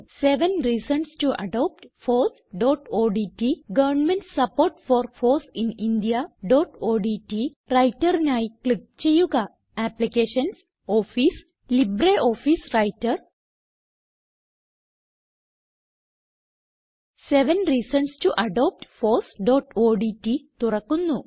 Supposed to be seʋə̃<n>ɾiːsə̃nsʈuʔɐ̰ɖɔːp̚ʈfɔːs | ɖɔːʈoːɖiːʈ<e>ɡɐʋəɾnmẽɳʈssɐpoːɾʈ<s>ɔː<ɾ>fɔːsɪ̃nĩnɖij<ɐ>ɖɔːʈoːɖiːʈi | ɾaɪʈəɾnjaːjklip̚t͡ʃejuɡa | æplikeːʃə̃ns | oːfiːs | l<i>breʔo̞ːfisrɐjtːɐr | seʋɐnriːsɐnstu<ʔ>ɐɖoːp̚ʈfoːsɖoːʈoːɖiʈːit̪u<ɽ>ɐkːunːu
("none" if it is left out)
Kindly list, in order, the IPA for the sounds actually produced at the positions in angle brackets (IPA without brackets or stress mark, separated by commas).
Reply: n, i, f, ɾ, a, i, ʔ, r